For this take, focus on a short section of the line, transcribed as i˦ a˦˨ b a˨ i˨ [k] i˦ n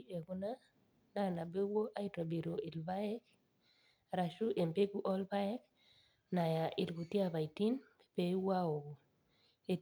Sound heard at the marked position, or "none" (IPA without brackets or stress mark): t